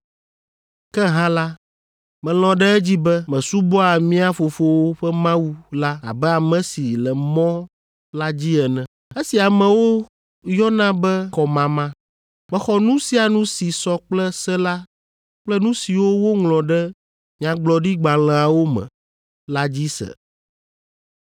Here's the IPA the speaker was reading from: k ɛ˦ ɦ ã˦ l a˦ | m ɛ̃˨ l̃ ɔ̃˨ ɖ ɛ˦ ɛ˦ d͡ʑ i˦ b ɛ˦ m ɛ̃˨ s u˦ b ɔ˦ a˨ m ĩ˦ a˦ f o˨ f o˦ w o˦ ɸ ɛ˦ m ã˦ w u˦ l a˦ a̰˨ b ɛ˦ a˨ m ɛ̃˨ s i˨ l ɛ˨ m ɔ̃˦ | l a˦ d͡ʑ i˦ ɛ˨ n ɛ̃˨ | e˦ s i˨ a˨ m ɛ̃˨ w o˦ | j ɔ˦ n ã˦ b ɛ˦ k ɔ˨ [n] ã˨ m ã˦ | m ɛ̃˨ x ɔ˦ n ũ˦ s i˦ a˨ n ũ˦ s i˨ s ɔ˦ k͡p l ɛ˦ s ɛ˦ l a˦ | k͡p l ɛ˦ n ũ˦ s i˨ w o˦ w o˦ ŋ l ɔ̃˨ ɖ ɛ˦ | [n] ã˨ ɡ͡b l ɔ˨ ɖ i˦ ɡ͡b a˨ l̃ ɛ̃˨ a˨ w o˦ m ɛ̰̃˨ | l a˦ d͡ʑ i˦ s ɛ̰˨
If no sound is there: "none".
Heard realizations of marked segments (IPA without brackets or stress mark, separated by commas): m, ɲ